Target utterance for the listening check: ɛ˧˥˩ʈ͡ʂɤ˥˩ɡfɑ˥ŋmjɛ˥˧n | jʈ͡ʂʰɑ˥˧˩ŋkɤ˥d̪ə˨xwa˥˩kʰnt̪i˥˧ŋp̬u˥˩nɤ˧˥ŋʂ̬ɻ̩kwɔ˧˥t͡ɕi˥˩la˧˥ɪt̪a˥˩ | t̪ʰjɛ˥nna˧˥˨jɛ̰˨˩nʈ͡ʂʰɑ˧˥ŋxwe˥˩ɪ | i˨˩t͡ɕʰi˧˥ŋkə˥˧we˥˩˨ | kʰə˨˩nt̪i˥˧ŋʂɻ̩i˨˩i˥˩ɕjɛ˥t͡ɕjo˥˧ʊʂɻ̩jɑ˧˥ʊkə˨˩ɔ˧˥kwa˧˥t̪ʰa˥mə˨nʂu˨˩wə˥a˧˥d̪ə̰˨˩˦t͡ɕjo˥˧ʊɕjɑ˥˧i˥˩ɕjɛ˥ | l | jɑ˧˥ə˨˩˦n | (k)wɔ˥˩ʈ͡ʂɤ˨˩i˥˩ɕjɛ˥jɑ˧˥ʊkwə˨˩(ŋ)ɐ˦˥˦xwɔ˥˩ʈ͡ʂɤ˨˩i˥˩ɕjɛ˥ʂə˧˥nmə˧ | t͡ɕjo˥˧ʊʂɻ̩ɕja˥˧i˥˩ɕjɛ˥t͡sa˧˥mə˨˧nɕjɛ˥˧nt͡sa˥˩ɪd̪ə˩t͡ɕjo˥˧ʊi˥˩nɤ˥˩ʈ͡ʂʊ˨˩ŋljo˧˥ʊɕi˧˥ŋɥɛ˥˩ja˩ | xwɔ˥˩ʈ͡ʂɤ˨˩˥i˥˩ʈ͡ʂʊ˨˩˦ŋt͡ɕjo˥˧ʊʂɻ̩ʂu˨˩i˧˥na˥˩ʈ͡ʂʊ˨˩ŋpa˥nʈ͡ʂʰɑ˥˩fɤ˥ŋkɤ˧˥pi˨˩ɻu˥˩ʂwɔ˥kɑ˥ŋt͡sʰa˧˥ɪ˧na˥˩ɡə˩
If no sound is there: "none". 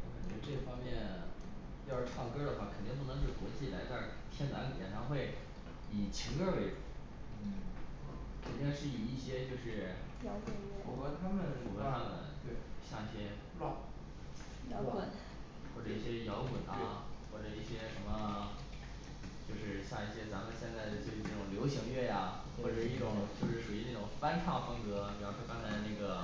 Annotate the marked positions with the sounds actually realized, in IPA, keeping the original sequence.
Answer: x, n

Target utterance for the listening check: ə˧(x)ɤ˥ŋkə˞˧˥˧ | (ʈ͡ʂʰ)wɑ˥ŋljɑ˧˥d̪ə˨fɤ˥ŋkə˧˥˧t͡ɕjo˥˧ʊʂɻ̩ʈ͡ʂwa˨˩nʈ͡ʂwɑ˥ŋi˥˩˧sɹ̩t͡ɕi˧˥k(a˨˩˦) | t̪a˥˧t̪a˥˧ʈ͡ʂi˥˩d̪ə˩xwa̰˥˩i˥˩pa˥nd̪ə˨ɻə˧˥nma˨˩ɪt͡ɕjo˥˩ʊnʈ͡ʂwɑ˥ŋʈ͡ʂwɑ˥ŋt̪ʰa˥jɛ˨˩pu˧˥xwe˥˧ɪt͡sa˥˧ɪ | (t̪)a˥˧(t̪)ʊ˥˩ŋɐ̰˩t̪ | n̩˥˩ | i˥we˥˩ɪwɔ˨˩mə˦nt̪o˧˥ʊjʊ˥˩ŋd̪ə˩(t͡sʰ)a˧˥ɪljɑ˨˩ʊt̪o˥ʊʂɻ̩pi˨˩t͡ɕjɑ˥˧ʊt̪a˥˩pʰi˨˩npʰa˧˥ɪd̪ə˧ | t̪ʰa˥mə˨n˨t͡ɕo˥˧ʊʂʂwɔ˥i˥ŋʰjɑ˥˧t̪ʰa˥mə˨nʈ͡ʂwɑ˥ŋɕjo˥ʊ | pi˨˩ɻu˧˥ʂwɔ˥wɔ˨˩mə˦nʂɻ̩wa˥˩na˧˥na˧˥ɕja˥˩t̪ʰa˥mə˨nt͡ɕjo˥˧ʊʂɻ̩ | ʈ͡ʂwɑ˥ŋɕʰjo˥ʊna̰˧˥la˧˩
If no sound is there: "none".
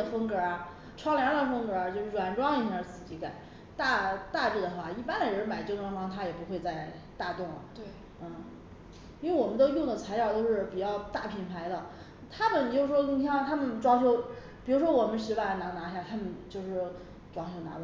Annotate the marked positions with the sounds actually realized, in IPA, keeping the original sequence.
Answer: f, ʈ͡ʂʰ, a˨˩˦, t̪, t̪, t͡sʰ

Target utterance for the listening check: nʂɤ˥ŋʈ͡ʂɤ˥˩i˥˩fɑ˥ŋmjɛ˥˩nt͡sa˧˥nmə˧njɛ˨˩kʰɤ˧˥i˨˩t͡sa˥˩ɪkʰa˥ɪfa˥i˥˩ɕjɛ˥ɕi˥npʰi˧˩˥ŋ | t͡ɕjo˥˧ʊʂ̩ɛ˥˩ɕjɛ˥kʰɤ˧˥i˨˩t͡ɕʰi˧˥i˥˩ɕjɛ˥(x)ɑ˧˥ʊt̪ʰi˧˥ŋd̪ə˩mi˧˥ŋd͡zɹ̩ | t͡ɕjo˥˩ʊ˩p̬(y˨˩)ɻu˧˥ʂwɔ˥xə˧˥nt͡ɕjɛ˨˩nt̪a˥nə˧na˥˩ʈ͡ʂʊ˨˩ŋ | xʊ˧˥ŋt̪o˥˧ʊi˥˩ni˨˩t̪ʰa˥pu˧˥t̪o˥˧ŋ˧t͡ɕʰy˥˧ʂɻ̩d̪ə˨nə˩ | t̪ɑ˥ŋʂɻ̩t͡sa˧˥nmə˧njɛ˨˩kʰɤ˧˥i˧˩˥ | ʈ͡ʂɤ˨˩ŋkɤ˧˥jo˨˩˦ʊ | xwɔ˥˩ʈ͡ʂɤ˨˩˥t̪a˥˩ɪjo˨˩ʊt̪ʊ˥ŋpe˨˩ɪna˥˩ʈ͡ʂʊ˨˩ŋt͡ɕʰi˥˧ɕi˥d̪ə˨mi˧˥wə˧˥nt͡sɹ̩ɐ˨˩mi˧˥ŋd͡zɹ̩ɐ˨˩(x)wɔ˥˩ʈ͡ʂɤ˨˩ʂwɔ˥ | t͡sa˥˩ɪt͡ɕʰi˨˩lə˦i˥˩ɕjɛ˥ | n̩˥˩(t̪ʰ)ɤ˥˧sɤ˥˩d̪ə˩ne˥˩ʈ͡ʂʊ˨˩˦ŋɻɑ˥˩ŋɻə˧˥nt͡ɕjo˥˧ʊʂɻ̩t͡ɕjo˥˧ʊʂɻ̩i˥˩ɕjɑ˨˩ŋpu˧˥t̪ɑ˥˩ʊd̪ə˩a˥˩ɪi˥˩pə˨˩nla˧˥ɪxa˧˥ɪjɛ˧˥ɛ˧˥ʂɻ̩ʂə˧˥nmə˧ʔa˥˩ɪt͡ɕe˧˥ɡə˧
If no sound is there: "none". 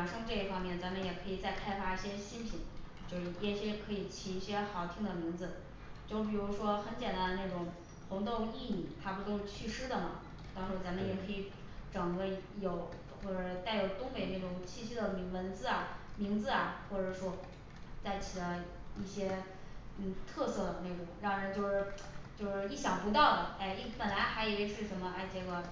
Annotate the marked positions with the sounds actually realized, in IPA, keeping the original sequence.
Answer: x, i˨˩, x, t̪ʰ

